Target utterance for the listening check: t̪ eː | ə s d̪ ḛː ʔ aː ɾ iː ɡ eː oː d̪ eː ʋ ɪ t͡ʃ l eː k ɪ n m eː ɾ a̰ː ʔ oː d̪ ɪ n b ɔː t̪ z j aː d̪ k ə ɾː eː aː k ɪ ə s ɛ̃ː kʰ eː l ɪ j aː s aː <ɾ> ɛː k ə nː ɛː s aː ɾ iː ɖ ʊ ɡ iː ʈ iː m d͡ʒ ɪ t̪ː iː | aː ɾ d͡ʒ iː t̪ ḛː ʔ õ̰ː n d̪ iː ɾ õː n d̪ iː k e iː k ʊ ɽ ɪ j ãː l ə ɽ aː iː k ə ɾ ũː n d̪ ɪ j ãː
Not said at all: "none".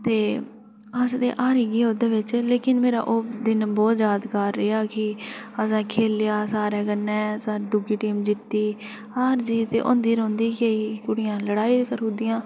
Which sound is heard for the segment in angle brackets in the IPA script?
ɾ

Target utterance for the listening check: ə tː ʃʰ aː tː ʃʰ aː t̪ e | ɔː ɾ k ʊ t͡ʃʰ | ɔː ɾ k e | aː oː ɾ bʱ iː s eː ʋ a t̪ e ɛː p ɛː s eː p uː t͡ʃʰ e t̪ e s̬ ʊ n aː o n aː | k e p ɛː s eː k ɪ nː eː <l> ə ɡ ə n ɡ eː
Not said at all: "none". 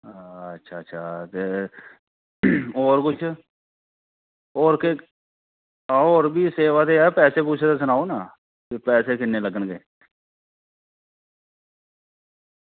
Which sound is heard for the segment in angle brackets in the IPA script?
l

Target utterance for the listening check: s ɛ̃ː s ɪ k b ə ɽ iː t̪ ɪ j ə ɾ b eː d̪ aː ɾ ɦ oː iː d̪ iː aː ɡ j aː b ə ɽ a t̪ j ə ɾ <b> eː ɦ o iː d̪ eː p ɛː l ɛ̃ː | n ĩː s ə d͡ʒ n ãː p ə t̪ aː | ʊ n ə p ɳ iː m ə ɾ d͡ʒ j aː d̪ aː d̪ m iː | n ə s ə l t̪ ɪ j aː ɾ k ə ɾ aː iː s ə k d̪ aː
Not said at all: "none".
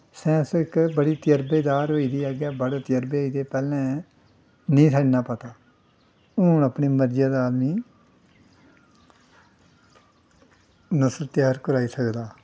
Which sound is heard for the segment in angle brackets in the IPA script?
b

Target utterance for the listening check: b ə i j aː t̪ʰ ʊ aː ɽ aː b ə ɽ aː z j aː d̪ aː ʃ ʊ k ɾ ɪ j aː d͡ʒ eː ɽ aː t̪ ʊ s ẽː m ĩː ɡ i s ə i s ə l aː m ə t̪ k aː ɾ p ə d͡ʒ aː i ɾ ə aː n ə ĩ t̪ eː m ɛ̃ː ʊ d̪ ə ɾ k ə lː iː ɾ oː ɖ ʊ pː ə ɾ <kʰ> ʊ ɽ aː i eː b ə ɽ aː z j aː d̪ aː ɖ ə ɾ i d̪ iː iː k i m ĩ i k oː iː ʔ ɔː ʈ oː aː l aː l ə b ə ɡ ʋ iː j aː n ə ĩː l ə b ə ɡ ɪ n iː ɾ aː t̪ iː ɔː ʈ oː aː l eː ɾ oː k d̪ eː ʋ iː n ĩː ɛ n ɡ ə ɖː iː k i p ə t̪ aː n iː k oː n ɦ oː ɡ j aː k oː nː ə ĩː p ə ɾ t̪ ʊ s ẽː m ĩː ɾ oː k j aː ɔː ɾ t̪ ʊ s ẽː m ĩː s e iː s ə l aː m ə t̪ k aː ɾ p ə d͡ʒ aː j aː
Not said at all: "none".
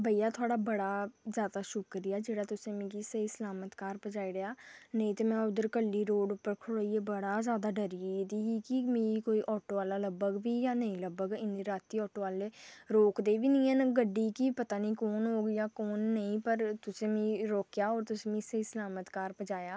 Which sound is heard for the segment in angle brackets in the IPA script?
kʰ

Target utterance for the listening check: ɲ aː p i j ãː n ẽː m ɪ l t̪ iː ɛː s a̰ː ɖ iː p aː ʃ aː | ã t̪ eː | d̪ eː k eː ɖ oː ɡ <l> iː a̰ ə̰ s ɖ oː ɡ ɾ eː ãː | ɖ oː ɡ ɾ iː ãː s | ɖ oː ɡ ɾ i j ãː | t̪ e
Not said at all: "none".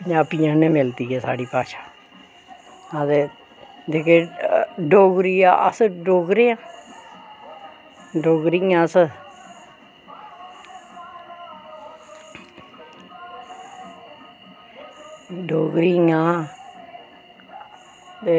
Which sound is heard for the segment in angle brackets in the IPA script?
ɾ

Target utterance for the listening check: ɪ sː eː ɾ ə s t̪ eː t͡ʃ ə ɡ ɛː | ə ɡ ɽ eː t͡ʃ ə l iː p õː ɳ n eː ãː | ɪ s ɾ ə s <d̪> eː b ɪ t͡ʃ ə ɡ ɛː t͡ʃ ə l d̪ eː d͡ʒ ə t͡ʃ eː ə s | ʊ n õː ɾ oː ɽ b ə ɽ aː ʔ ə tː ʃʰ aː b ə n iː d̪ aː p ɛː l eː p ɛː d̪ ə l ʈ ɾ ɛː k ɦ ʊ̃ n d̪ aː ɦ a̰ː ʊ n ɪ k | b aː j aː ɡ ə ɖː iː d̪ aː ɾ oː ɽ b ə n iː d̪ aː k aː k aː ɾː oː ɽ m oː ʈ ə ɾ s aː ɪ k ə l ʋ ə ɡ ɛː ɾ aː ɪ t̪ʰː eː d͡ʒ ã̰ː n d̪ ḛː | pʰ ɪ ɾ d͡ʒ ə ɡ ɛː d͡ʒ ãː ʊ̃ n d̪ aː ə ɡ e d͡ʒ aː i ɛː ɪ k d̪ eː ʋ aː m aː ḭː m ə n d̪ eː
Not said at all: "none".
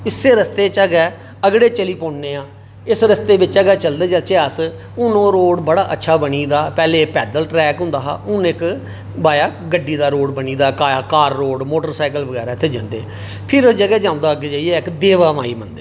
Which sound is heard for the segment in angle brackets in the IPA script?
t̪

